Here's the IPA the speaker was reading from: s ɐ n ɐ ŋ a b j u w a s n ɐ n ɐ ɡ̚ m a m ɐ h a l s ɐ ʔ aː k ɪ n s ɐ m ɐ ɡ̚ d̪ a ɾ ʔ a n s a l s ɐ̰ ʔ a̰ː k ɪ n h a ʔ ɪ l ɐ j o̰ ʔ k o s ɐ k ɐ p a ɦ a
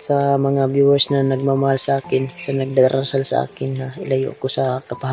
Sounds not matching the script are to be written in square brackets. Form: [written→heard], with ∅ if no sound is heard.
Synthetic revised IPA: s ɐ [n→m] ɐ ŋ a b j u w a s n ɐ n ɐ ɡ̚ m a m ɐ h a l s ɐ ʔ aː k ɪ n s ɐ [m→n] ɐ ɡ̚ d̪ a ɾ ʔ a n s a l s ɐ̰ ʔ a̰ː k ɪ n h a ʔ ɪ l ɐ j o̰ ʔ k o s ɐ k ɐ p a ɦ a